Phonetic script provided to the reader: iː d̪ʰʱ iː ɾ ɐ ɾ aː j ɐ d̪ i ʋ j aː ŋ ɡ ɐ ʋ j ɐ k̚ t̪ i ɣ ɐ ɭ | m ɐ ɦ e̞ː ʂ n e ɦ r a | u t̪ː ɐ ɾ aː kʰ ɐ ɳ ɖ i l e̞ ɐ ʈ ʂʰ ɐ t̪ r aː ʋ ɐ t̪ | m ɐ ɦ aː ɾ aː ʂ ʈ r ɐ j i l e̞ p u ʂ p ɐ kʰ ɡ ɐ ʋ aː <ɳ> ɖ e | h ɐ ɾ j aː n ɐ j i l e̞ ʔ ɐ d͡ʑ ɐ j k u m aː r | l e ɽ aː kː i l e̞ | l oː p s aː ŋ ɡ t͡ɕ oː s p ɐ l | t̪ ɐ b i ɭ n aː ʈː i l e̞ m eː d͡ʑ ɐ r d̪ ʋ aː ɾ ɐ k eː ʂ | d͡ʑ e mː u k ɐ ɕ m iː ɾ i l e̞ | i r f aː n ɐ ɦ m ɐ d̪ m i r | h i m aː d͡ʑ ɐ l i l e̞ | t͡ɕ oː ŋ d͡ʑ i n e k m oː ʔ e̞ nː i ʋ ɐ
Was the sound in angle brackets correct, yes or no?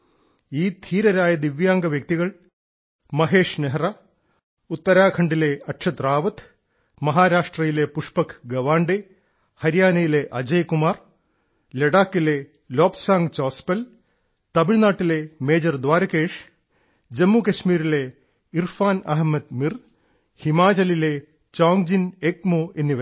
yes